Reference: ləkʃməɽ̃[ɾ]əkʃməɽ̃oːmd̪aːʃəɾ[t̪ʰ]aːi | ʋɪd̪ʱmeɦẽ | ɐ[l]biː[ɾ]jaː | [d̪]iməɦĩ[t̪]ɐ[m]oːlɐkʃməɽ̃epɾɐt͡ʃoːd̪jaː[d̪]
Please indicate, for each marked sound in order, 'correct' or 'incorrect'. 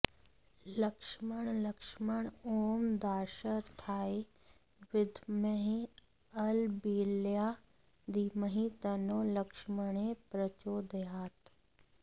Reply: incorrect, correct, correct, incorrect, correct, correct, incorrect, incorrect

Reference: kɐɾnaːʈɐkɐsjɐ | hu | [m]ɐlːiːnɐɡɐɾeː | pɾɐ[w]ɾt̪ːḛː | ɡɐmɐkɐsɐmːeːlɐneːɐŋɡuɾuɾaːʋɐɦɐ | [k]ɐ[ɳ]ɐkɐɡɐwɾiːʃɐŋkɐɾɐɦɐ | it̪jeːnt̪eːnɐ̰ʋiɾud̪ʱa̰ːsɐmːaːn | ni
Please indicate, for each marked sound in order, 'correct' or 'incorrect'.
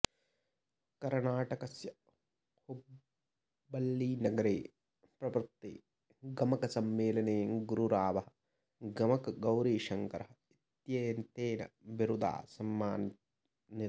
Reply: incorrect, incorrect, incorrect, incorrect

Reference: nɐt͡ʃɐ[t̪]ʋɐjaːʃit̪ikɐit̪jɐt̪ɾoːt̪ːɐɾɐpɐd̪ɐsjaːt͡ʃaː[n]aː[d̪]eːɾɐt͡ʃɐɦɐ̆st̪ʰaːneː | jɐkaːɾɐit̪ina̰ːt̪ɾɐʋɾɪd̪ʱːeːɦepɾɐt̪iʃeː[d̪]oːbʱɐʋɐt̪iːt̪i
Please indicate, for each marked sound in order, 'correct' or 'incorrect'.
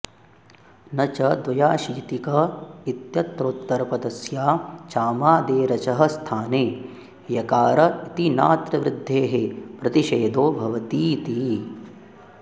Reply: incorrect, incorrect, correct, correct

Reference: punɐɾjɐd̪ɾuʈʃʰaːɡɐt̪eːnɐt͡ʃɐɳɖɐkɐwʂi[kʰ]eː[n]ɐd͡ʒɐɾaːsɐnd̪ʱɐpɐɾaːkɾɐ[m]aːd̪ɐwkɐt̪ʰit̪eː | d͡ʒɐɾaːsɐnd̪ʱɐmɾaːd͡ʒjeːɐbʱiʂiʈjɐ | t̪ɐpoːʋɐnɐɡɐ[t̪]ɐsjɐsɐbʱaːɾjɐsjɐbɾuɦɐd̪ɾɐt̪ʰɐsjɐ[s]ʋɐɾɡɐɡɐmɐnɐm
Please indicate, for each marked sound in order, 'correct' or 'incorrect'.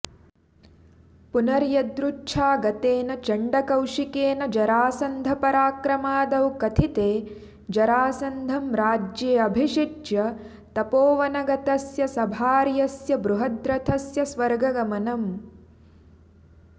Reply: incorrect, correct, correct, correct, correct

